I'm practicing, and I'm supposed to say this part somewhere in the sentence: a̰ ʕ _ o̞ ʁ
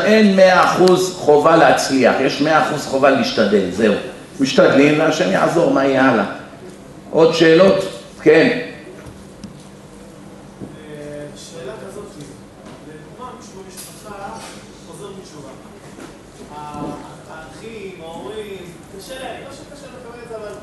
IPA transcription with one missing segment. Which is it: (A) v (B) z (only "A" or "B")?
B